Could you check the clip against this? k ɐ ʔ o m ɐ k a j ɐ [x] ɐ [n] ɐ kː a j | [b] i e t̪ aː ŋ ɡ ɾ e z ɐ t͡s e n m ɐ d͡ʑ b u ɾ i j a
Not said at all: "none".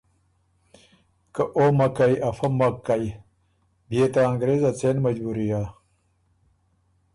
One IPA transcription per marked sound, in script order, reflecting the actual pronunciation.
f, m, b

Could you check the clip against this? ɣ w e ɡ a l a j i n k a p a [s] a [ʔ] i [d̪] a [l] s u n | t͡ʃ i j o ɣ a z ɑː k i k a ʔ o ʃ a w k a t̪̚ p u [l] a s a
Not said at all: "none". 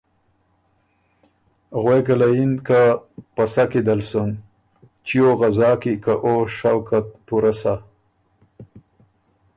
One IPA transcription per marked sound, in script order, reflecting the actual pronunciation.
s, k, d̪, l, ɾ

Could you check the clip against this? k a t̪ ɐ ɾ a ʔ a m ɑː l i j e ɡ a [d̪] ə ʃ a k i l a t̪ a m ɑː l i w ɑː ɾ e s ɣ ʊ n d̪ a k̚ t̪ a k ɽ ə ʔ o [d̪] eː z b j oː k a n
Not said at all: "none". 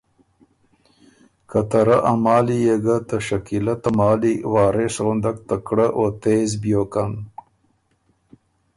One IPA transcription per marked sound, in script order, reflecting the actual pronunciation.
t̪, t̪

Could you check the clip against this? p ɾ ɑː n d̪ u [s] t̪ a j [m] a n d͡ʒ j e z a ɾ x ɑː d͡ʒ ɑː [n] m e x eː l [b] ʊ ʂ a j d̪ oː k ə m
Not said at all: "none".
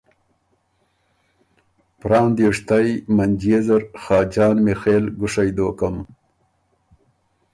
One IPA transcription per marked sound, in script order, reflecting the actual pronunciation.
ʂ, m, n, ɡ

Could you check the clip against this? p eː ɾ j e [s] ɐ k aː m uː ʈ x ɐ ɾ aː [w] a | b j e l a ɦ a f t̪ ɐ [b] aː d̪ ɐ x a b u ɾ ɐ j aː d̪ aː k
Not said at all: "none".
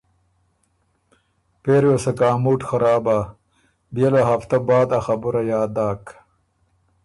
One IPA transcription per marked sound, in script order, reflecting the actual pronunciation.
s, b, b

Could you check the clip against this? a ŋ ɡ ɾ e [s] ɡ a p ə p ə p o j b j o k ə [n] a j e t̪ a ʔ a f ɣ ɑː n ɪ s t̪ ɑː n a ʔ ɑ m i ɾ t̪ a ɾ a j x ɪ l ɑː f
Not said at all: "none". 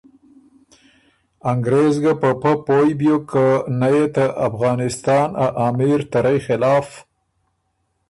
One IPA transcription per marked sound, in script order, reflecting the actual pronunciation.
z, n

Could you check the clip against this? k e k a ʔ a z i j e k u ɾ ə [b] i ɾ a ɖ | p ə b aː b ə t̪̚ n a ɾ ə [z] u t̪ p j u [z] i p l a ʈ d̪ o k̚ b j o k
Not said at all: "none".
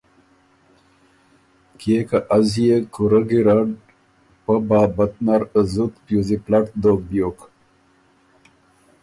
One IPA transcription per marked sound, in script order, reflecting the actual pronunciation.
ɡ, z, z

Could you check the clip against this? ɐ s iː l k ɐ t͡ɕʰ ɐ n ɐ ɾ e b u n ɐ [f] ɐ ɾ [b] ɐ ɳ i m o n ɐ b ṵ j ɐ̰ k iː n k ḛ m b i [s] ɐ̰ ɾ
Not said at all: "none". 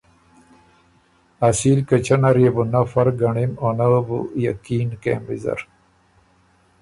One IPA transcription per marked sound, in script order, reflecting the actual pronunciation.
f, ɡ, z

